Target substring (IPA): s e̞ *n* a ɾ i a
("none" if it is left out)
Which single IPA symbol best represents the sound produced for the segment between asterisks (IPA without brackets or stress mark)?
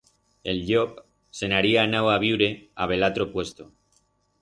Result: n